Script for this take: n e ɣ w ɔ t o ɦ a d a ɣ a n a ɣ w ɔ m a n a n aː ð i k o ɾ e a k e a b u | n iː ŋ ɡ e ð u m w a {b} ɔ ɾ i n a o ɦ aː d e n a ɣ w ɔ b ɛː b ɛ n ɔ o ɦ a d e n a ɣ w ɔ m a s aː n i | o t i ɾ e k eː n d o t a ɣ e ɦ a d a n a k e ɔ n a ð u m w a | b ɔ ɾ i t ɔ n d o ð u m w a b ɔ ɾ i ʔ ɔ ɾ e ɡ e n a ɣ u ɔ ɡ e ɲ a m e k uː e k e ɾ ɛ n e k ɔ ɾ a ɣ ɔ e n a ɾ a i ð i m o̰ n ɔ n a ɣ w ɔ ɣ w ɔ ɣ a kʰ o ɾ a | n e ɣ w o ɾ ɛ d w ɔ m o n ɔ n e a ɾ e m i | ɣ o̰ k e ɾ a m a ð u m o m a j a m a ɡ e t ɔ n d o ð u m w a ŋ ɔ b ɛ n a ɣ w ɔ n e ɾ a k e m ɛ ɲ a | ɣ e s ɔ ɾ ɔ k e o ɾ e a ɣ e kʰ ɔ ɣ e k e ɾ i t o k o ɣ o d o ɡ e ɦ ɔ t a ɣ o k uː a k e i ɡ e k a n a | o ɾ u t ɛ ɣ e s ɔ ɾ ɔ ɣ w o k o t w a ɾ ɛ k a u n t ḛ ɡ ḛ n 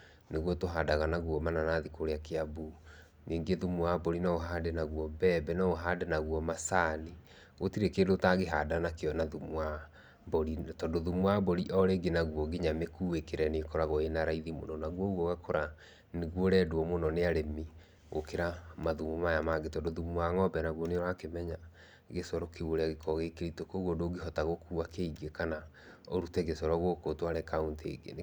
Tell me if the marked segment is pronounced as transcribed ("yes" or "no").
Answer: yes